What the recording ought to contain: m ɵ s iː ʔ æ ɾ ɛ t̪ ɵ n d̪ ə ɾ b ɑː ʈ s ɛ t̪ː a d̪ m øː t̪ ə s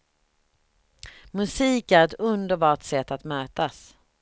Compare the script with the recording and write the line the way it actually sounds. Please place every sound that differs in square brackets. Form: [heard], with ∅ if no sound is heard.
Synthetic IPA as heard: m ɵ s iː [k] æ ɾ ɛ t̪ ɵ n d̪ ə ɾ b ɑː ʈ s ɛ t̪ː a [t̪] m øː t̪ [a] s